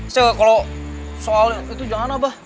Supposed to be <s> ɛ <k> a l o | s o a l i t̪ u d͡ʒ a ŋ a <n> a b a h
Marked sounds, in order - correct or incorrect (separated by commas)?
correct, correct, correct